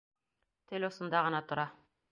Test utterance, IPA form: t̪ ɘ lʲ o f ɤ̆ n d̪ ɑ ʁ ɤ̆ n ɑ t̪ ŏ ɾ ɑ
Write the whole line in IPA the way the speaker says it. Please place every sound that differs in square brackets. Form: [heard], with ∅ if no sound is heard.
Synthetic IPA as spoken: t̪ ɘ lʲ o [s] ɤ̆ n d̪ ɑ ʁ ɤ̆ n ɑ t̪ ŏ ɾ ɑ